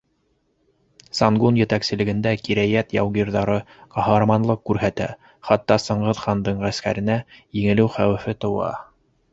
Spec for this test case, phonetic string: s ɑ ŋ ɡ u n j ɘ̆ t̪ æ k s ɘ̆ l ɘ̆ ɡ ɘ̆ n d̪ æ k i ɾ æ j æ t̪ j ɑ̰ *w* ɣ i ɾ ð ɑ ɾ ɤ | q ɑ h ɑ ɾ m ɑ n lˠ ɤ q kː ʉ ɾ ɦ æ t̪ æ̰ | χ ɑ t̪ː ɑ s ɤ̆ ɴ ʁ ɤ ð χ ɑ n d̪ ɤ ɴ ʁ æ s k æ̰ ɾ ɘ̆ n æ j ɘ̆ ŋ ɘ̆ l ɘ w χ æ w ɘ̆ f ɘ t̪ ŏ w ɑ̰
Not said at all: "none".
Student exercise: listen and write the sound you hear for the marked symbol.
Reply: w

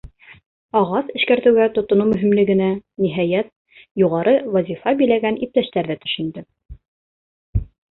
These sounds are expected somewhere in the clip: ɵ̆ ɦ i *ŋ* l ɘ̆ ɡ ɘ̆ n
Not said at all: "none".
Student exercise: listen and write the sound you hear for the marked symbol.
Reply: m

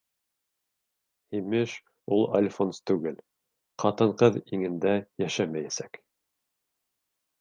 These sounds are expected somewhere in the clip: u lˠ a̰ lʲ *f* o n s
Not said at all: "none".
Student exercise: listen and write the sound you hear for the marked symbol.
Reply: f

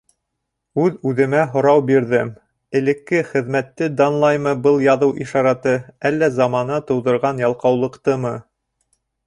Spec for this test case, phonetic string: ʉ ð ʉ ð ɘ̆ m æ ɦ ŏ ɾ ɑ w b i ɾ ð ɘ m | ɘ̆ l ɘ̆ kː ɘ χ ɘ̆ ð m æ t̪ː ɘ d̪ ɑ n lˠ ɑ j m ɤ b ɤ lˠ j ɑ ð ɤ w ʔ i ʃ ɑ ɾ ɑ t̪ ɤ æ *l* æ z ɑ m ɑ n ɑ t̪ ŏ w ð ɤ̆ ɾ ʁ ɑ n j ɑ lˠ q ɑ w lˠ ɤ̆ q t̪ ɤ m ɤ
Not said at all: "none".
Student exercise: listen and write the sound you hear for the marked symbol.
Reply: lː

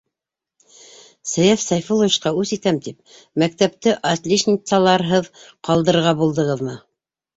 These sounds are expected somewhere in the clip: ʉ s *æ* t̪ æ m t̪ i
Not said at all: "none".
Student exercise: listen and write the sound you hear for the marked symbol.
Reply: i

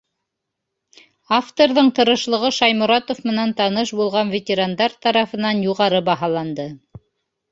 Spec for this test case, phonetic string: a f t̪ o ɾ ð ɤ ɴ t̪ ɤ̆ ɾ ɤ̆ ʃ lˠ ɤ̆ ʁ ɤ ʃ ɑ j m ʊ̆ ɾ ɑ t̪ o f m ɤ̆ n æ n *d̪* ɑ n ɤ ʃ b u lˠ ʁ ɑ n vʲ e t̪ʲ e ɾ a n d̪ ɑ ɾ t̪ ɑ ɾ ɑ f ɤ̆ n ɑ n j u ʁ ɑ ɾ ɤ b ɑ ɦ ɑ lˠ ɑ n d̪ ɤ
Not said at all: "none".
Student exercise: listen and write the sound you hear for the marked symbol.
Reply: t̪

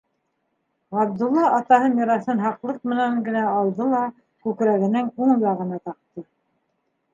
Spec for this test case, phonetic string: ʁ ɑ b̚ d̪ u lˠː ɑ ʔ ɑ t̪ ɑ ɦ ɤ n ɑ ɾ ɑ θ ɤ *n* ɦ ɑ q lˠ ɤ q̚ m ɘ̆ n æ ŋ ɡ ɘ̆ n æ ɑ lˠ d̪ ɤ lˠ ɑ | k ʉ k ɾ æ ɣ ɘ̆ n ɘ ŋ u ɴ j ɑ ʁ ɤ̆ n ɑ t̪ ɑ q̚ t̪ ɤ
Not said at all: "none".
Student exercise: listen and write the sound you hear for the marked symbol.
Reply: n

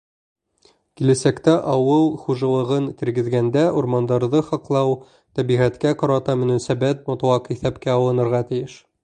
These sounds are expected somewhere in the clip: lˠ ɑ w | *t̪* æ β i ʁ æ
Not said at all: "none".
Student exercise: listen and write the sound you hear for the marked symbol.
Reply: t̪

